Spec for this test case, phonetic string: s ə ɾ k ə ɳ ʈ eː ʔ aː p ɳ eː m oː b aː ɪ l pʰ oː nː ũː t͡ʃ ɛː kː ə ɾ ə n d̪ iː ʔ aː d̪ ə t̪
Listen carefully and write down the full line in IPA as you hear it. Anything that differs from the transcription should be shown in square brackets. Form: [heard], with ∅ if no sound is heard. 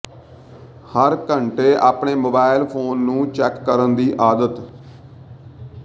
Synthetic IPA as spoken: [h] ə ɾ k ə ɳ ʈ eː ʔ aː p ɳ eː m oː b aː ɪ l pʰ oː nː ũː t͡ʃ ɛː kː ə ɾ ə n d̪ iː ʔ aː d̪ ə t̪